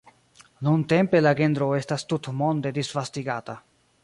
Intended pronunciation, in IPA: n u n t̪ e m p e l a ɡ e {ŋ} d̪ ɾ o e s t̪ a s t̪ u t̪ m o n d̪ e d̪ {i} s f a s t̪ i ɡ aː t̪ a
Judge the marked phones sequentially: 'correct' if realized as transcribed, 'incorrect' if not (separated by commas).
incorrect, correct